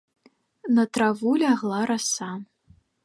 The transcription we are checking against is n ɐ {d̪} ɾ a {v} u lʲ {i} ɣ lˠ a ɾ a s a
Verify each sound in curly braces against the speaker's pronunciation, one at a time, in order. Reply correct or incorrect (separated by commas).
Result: incorrect, correct, incorrect